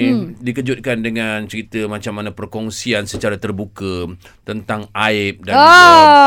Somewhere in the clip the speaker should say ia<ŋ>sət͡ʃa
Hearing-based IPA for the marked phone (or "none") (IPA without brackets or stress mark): n